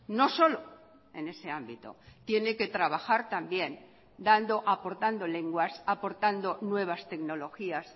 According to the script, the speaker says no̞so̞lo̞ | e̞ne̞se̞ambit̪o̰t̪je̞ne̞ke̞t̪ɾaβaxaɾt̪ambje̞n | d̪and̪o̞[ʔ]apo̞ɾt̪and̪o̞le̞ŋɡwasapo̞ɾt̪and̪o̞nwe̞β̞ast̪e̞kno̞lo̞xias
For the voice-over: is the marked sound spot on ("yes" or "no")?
yes